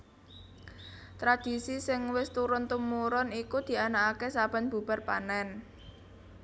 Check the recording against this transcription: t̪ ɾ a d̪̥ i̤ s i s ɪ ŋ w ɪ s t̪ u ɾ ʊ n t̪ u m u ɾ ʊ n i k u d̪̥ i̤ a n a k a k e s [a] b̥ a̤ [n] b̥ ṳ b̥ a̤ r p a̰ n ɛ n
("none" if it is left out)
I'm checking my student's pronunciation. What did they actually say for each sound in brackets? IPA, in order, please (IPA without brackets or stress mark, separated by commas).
a, n